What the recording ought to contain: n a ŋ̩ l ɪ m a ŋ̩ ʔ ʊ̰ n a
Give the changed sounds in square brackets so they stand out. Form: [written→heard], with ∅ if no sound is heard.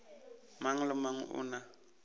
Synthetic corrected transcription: [n→m] a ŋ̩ l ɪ m a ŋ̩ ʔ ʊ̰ n a